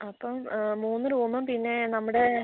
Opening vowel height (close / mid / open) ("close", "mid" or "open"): open